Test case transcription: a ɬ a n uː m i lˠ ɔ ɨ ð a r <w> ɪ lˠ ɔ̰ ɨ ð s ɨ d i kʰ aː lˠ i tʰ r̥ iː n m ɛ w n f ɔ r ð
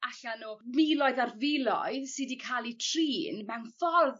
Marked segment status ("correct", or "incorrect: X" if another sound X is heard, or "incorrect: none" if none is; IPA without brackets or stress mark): incorrect: v